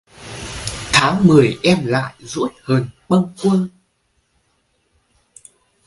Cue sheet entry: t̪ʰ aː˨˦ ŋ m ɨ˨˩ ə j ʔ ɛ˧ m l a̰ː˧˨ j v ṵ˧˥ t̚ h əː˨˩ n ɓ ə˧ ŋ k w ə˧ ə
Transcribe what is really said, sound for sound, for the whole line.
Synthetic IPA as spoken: t̪ʰ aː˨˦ ŋ m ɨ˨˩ ə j ʔ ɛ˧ m l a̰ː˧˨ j z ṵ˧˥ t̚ h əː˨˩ n ɓ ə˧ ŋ k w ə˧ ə